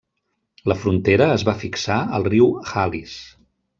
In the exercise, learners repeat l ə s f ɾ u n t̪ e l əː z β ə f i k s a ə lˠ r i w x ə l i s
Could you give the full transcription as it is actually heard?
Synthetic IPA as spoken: l ə f ɾ u n t̪ e ɾ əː z β a f i k s a ə lˠ r i w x a l i s

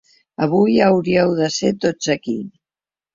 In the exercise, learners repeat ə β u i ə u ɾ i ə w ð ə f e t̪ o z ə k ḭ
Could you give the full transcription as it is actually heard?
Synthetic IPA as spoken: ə β u j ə w ɾ i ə w ð ə s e t̪ o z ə k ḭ

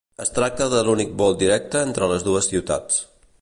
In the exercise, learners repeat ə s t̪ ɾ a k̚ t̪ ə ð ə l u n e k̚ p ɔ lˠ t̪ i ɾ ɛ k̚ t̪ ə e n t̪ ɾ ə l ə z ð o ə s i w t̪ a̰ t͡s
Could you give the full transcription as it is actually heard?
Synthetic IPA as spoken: ə s t̪ ɾ a k̚ t̪ ə ð ə l u n i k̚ b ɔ lˠ d̪ i ɾ ɛ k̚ t̪ ə e n t̪ ɾ ə l ə z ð u ə s i w t̪ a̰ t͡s

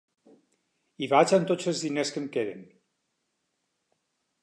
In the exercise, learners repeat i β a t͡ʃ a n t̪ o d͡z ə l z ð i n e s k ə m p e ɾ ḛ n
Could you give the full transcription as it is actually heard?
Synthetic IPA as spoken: i β a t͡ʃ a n t̪ o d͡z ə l z ð i n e s k ə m k e ɾ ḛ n

